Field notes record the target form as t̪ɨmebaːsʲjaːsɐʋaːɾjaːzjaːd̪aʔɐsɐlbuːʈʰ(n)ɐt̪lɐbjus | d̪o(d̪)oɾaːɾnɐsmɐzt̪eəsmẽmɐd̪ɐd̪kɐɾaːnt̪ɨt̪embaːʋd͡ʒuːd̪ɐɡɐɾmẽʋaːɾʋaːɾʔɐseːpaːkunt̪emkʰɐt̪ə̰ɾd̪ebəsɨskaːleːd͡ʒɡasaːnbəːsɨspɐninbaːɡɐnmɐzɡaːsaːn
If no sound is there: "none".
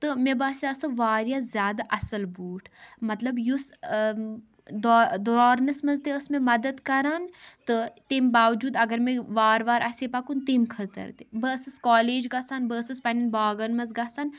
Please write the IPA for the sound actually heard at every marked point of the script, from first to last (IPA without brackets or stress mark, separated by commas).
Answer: m, d̪